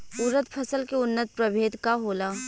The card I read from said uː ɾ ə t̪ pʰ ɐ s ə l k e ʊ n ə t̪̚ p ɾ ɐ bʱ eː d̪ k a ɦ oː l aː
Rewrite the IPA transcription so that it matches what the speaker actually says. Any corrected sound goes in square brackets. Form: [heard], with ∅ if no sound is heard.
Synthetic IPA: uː ɾ ə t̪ pʰ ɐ s ə l k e ʊ [nː] ə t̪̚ p ɾ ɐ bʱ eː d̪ k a ɦ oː l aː